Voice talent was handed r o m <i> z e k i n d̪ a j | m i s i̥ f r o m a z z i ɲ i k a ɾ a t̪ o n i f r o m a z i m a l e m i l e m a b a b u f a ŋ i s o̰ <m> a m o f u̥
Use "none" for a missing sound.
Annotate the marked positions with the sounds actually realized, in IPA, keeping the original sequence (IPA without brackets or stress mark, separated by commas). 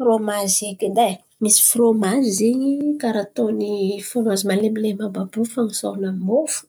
a, n